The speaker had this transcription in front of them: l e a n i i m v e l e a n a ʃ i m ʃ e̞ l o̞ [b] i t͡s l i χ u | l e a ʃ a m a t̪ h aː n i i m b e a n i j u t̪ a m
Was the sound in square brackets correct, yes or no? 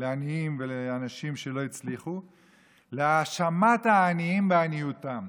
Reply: no